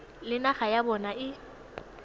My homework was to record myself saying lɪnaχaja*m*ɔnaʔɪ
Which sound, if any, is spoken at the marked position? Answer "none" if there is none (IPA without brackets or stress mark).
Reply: b